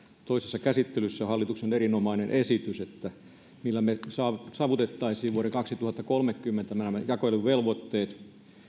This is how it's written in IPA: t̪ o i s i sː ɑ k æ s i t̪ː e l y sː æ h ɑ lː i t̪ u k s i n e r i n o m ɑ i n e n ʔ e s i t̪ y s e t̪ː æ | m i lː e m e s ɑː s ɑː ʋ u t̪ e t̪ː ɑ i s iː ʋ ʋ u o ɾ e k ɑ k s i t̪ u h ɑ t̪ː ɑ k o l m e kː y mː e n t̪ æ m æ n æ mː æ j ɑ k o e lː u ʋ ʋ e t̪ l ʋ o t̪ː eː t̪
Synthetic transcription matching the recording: t̪ o i s e sː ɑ k æ s i t̪ː e l y sː æ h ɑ lː i t̪ u k s e n e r i n o m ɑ i n e n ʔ e s i t̪ y s e t̪ː æ | m i lː æ m e s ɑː s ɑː ʋ u t̪ e t̪ː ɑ i s iː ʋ ʋ u o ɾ e k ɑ k s i t̪ u h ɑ t̪ː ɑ k o l m e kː y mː e n t̪ æ m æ n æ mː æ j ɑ k o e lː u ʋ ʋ e l ʋ o t̪ː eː t̪

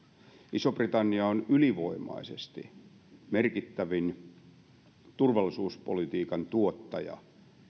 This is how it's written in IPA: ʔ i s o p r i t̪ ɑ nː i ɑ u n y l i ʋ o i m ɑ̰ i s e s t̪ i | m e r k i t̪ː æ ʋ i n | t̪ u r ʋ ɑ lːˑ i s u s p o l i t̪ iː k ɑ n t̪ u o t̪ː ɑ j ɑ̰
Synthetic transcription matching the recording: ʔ i s o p r i t̪ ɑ nː i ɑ o n y l i ʋ o i m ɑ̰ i s e s t̪ i | m e r k i t̪ː æ ʋ i n | t̪ u r ʋ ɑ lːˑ i s uː s p o l i t̪ iː k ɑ n t̪ u o t̪ː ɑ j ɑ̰

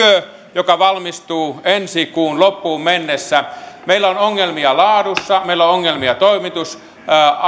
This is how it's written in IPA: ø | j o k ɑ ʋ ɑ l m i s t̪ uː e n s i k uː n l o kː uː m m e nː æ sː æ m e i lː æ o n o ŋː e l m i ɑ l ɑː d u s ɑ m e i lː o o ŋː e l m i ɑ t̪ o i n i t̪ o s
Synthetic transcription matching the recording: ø | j o k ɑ ʋ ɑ l m i s t̪ uː e n s i k uː n l o pː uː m m e nː e sː æ m e i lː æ o n o ŋː e l m i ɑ l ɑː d u sː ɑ m e i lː o o ŋː e l m i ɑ t̪ o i m i t̪ u s

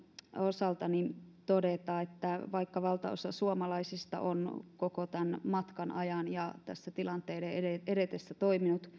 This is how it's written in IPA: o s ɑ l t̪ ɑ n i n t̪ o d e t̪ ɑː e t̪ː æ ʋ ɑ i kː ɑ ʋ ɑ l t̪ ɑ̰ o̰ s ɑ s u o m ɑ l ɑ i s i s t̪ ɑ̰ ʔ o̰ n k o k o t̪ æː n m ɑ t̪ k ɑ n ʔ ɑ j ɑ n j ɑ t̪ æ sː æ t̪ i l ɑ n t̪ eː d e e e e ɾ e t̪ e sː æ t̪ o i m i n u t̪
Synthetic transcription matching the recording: o s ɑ l t̪ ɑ n i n t̪ o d e t̪ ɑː e t̪ː æ ʋ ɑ i kː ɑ ʋ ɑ l t̪ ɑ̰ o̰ s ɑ s u o m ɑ l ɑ i s i s t̪ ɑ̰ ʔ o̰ n k o k o t̪ æ n m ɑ t̪ k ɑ n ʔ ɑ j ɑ n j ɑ t̪ æ sː æ t̪ i l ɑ n t̪ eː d e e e e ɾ e t̪ e sː æ t̪ o i m i n u t̪

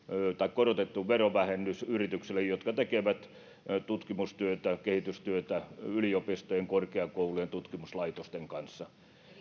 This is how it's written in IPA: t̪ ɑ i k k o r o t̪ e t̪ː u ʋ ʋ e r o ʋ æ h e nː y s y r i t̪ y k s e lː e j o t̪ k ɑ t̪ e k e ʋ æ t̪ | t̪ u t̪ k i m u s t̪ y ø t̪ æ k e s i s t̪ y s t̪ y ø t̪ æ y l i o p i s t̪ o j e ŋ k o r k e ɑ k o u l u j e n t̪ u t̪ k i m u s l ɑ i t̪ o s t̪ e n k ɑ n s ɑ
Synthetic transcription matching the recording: t̪ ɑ i k k o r o t̪ e t̪ː u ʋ ʋ e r o ʋ æ h e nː y s y r i t̪ y k s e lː e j o t̪ k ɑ t̪ e k e ʋ æ t̪ | t̪ u t̪ k i m u s t̪ y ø t̪ æ k e h i t̪ y s t̪ y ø t̪ æ y l i o p i s t̪ o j e ŋ k o r k e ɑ k o u l u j e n t̪ u t̪ k i m u s l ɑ i t̪ o s t̪ e ŋ k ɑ n sː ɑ

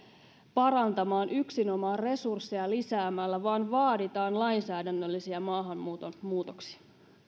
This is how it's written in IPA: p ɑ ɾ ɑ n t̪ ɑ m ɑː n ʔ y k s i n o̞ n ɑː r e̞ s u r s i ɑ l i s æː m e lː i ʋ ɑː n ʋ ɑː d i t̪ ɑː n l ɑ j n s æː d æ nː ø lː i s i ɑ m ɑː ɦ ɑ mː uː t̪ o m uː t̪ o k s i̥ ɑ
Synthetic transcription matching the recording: p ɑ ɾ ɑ n t̪ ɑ m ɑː n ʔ y k s i n o̞ m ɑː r e̞ s u r sː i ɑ l i s æː m æ lː æ ʋ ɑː n ʋ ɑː d i t̪ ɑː n l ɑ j n s æː d æ nː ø lː i s i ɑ m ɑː ɦ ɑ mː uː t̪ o m uː t̪ o k s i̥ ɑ

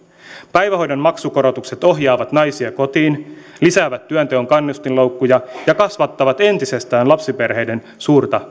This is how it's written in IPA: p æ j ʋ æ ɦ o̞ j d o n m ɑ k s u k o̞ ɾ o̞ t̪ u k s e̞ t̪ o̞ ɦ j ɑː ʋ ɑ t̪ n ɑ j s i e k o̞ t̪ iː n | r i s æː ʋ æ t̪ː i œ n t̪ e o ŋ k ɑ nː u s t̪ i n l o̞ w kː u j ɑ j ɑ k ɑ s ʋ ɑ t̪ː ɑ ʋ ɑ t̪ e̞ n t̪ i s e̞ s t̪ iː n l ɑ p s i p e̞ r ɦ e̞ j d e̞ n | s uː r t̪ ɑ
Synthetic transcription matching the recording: p æ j ʋ æ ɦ o̞ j d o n m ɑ k s u k o̞ ɾ o̞ t̪ u k s e̞ t̪ o̞ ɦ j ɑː ʋ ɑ t̪ n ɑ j s i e k o̞ t̪ iː n | l i s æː ʋ æ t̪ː y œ n t̪ e o ŋ k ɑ nː u s t̪ i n l o̞ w kː u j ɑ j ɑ k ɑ s ʋ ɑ t̪ː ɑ ʋ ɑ t̪ e̞ n t̪ i s e̞ s t̪ æː n l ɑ p s i p e̞ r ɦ e̞ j d e̞ n | s uː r t̪ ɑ

